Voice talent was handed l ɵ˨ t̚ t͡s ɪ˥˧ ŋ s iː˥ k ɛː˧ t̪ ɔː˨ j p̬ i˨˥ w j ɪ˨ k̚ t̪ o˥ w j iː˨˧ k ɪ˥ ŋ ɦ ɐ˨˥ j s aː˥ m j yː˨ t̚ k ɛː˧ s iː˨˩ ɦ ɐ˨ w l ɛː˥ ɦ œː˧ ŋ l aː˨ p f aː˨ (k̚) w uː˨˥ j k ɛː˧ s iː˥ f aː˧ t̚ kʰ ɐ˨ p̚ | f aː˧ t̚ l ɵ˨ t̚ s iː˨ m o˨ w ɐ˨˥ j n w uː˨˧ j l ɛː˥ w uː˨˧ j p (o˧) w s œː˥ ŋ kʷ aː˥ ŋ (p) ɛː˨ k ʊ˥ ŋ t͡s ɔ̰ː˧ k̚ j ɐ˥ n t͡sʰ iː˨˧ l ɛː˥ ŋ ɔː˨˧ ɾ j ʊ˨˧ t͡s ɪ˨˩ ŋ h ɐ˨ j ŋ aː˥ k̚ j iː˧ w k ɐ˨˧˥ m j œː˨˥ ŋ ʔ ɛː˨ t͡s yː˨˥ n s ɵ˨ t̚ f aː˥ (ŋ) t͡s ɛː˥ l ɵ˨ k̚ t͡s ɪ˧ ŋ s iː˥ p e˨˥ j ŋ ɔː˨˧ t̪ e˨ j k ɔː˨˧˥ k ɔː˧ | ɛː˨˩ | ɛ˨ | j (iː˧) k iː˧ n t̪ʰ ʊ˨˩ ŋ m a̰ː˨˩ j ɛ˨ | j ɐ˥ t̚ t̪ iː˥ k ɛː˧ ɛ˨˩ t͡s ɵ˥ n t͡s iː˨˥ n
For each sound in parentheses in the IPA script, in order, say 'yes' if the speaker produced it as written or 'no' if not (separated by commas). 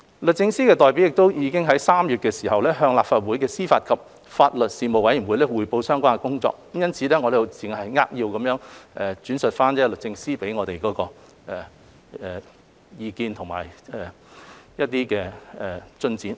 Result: no, yes, no, no, yes